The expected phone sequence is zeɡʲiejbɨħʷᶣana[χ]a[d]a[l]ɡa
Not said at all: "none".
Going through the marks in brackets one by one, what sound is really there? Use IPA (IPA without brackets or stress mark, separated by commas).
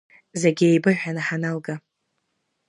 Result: ħ, n, l